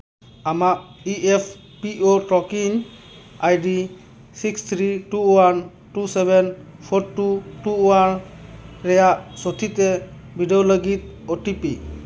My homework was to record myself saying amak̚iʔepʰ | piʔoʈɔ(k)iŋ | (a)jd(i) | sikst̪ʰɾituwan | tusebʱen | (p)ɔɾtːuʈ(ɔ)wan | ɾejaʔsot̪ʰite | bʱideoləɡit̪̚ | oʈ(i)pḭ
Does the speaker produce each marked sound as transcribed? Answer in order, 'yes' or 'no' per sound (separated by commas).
yes, yes, yes, no, no, yes